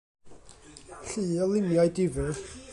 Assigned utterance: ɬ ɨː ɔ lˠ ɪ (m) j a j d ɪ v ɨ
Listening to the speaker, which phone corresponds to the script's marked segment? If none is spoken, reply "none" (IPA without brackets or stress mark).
m